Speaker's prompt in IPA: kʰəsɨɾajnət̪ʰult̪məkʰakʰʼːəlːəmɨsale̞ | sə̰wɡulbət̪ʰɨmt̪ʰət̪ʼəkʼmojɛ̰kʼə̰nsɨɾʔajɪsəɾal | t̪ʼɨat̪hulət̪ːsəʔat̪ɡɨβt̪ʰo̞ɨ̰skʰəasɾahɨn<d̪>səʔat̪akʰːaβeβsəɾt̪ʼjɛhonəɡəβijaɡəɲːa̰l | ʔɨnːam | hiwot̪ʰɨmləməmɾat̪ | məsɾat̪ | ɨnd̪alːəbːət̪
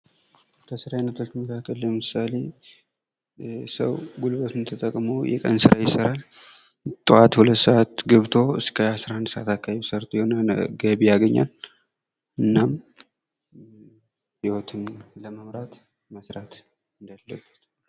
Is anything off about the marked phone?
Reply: no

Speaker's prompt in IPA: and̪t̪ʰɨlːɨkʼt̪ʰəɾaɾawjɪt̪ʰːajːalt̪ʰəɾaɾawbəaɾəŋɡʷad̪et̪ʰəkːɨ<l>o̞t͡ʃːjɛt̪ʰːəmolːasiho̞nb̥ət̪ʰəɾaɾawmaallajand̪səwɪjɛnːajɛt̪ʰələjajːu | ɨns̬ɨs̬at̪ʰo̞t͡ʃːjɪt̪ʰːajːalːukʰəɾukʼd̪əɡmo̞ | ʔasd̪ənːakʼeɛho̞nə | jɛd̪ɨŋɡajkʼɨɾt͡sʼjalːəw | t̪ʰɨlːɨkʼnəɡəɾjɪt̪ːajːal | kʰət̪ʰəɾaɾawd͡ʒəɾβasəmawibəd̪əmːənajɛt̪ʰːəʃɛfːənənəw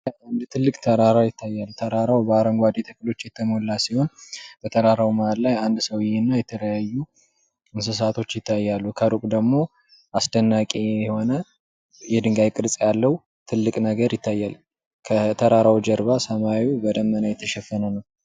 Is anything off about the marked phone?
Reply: no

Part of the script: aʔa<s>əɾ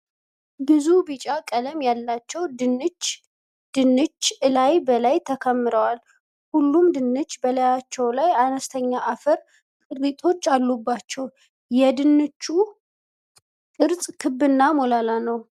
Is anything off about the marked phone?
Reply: yes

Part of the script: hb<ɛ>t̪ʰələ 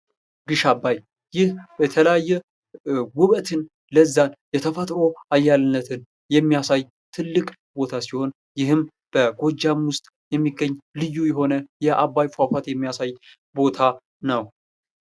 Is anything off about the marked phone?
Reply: no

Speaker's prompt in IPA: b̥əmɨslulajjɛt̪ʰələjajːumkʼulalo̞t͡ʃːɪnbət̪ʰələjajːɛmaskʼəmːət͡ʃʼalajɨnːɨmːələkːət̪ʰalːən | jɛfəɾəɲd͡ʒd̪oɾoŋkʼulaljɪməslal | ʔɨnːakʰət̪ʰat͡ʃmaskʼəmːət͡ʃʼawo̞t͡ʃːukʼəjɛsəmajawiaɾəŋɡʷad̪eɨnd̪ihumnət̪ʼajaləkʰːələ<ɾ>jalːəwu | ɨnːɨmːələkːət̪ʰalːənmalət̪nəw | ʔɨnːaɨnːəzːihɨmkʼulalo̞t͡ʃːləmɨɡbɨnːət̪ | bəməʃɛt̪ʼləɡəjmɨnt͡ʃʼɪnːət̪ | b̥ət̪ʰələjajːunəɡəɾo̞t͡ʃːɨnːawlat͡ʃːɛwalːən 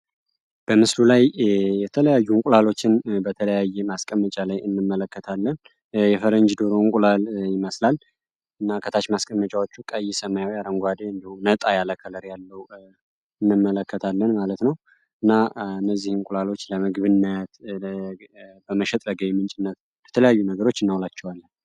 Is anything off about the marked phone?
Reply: no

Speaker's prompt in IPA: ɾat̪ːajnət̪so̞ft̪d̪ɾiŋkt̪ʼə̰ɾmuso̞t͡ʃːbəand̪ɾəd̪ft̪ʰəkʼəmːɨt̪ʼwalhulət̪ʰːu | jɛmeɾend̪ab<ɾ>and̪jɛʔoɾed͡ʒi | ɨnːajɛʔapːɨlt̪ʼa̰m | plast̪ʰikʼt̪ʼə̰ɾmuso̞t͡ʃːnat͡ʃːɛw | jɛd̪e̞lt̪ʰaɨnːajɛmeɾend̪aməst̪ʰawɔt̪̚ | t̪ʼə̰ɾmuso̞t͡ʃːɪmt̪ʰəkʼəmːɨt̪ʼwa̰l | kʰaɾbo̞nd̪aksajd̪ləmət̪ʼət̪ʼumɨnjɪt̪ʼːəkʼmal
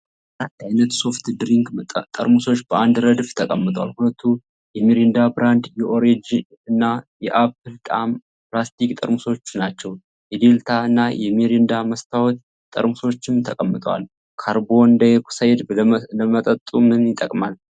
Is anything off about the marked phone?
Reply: no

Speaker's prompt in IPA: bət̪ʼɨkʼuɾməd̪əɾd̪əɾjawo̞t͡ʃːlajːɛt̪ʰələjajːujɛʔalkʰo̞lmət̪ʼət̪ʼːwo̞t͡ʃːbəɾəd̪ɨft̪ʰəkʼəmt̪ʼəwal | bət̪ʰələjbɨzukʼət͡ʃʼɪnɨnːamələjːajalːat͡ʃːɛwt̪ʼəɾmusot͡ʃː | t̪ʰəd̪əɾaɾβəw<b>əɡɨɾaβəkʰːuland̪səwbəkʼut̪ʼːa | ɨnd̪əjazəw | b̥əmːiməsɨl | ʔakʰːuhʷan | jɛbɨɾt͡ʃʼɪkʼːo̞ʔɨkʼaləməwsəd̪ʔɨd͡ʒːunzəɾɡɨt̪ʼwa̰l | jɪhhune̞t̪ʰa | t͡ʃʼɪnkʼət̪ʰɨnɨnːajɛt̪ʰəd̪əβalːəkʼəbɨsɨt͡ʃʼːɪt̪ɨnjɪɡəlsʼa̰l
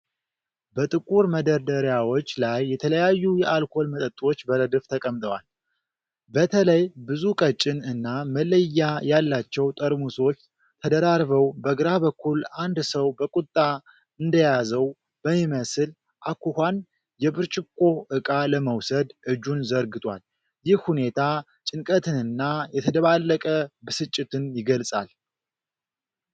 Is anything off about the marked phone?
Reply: no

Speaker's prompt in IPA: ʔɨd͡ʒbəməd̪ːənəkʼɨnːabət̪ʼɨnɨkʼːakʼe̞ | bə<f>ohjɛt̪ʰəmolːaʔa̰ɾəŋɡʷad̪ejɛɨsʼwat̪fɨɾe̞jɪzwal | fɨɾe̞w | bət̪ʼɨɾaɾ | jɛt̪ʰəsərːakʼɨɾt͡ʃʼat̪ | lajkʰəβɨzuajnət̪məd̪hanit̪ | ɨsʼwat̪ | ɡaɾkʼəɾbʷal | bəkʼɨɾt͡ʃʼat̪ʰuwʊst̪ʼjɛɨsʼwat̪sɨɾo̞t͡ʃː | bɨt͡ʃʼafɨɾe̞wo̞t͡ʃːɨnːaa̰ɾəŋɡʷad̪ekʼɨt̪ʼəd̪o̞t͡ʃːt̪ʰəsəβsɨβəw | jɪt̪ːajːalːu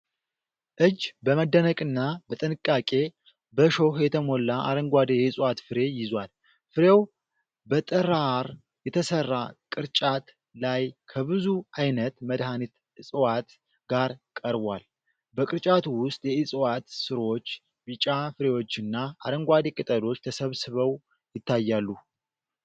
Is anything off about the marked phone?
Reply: yes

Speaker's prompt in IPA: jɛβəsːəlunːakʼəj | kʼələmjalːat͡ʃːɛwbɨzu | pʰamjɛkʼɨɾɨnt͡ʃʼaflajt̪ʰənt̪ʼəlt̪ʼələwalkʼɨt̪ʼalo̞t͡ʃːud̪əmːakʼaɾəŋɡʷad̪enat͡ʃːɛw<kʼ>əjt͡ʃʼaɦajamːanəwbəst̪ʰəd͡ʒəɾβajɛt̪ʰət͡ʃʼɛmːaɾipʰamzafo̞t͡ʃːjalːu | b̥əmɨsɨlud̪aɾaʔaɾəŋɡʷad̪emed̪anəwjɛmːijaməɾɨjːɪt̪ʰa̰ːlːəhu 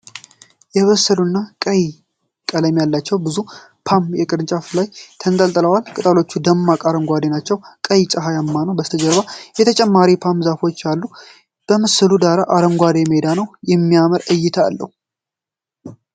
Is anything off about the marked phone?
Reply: no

